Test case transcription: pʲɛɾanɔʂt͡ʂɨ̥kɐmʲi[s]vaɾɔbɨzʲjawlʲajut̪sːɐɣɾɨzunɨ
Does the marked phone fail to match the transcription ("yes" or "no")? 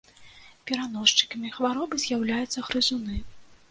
yes